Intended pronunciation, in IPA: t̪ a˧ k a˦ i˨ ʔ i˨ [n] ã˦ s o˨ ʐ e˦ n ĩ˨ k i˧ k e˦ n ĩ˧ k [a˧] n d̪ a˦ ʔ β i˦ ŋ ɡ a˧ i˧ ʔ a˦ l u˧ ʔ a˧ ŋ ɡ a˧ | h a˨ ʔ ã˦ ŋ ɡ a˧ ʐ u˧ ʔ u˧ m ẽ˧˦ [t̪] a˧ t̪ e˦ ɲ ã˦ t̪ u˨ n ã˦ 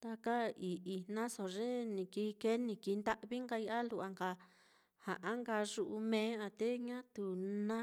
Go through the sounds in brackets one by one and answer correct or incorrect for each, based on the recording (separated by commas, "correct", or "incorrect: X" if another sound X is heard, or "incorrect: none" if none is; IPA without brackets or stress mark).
correct, incorrect: i˧, incorrect: none